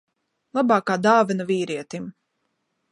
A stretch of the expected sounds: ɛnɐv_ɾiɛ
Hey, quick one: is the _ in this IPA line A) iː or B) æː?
A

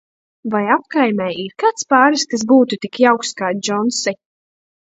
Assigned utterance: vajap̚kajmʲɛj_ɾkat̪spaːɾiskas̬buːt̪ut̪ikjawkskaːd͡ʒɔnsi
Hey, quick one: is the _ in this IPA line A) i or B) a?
A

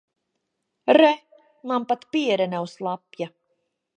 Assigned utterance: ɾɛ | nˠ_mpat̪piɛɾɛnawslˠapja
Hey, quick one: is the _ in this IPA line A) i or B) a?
B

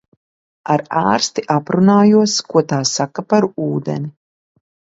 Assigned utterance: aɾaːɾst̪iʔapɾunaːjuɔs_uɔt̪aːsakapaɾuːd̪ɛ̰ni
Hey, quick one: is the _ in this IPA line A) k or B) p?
A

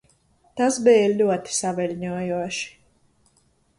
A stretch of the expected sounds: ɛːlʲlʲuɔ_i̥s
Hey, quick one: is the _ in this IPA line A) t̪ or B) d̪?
A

